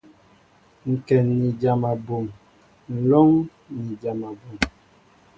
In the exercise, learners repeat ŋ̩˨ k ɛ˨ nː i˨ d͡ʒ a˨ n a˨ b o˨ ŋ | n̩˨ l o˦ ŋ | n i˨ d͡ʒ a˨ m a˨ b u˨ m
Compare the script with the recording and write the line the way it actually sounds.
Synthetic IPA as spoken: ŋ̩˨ k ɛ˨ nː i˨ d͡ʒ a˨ m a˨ b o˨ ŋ | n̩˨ l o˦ ŋ | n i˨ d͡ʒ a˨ m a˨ b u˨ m

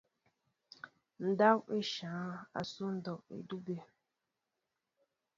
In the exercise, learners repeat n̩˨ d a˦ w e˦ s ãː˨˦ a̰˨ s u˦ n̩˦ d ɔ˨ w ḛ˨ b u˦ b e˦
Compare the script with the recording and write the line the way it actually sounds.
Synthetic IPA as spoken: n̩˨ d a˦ w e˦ ʃ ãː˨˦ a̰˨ s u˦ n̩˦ d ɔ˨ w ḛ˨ d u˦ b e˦

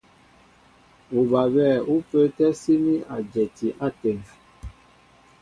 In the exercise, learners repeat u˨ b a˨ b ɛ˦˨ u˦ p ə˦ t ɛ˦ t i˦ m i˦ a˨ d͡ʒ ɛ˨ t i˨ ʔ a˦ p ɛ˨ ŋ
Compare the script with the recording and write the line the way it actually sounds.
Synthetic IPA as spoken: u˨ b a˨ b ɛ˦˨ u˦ p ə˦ t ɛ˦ s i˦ m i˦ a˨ d͡ʒ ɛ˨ t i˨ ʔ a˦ t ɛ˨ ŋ

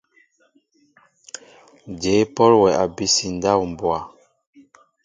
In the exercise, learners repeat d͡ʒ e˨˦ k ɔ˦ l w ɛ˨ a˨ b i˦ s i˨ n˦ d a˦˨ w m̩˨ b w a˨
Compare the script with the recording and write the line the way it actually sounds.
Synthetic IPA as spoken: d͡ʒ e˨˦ p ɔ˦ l w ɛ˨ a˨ b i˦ s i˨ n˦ d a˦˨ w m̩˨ b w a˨

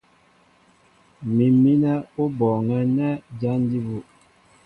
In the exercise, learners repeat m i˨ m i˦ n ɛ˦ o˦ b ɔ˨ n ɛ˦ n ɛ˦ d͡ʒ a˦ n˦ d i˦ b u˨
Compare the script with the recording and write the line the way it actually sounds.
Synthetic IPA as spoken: m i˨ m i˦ n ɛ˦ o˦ b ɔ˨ ŋ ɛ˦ n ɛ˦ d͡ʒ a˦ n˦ d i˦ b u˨

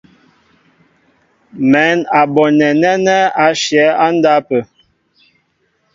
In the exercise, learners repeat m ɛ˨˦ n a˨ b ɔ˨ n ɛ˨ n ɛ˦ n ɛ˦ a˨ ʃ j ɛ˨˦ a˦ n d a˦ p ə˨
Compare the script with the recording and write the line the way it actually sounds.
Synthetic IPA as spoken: m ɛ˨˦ n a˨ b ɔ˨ n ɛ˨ n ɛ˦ n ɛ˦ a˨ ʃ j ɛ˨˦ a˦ n d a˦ p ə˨

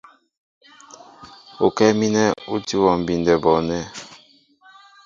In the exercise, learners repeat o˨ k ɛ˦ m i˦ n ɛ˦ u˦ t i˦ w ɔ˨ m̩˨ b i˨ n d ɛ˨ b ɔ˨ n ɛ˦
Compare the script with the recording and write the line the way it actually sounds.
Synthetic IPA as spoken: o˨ k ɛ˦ m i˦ n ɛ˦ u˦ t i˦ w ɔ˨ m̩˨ b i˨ n d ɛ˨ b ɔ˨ n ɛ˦

